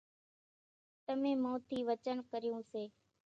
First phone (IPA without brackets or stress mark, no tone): t̪